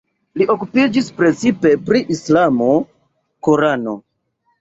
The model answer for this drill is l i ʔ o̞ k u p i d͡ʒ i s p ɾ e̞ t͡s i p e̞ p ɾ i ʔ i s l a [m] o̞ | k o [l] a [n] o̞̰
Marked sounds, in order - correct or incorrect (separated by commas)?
correct, incorrect, correct